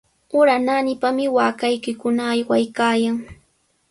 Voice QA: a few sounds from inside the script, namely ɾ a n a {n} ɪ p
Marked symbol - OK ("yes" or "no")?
yes